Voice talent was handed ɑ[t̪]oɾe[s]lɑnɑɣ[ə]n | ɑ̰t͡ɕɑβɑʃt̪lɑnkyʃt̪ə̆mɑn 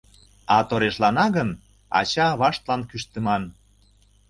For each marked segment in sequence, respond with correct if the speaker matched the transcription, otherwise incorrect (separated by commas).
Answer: correct, incorrect, correct